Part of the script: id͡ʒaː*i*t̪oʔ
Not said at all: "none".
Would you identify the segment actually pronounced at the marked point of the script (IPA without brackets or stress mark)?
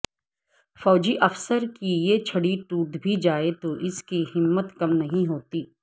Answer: e